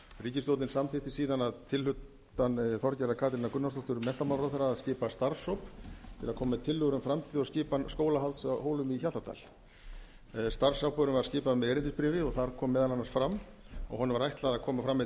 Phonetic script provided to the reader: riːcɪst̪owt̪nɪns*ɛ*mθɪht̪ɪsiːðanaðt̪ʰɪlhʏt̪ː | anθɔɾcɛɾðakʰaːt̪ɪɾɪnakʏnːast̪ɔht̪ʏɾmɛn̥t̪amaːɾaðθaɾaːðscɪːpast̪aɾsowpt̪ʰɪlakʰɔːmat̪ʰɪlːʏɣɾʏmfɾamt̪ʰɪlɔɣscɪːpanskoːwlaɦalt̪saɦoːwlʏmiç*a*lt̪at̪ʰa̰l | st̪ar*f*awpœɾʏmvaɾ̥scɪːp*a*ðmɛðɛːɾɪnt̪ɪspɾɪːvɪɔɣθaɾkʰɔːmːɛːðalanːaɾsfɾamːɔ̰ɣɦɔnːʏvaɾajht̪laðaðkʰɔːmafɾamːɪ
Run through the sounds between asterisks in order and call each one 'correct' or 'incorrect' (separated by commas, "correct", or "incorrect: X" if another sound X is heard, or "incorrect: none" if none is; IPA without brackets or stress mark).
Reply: incorrect: a, correct, incorrect: s, correct